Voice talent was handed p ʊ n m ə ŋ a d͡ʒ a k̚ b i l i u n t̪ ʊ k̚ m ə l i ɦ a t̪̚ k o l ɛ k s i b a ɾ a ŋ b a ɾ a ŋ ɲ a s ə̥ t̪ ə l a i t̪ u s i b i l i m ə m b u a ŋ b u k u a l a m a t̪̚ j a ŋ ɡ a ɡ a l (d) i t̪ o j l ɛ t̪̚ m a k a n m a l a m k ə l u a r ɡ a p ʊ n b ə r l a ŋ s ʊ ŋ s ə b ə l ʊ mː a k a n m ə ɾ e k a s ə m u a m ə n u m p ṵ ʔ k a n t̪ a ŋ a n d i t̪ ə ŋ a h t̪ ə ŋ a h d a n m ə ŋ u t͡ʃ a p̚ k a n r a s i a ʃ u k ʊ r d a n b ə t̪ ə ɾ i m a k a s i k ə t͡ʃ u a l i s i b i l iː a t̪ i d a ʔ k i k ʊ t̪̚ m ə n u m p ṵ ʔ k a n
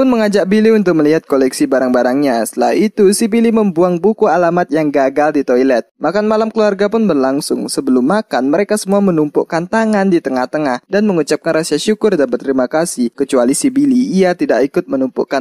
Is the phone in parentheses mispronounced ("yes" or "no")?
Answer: no